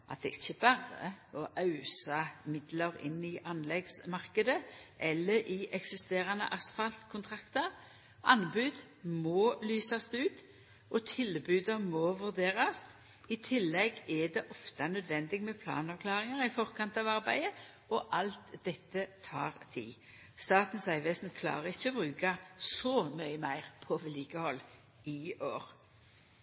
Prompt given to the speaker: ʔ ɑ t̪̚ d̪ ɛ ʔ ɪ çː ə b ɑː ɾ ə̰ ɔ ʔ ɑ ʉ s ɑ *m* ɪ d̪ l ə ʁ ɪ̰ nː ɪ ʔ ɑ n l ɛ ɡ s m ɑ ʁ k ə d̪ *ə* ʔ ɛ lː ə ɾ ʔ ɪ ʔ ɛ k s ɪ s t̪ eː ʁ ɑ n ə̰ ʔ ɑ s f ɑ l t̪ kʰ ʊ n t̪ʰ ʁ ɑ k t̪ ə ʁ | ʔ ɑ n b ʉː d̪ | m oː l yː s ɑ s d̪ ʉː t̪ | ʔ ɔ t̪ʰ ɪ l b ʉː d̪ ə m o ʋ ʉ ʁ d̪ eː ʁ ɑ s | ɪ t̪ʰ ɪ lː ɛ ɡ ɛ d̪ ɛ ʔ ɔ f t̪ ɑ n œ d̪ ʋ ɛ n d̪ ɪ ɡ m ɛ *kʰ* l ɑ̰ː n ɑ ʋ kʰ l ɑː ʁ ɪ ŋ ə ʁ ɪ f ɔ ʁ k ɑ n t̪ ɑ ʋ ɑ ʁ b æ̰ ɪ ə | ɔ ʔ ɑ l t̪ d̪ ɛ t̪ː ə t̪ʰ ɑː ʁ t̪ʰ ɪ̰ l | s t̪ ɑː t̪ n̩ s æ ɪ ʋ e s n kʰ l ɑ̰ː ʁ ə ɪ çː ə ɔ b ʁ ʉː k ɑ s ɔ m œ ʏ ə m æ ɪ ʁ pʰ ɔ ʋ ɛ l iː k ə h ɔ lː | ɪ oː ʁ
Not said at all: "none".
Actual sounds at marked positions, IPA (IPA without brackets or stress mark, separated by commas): m, ə, pʰ